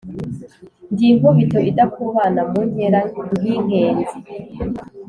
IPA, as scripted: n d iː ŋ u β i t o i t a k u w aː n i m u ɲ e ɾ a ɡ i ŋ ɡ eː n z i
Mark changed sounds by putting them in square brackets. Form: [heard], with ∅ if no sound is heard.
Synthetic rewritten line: n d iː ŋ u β i t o i [d] a k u [β] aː n [a] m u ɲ e ɾ a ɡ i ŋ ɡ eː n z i